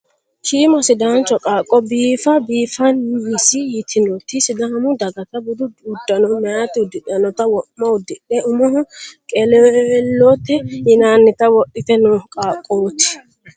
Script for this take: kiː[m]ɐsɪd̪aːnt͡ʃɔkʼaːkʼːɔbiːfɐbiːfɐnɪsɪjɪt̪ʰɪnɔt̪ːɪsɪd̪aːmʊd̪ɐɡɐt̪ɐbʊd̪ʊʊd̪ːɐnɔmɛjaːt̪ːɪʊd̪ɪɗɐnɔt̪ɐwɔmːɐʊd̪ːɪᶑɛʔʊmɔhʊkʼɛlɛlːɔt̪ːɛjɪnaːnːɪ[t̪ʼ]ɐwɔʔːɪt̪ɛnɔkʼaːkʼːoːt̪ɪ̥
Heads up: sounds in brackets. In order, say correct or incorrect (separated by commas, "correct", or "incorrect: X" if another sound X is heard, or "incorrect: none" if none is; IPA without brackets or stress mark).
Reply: correct, incorrect: t̪